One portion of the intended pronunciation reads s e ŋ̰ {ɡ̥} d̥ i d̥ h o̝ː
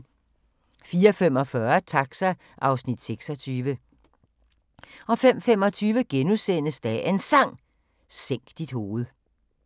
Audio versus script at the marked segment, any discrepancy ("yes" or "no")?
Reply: no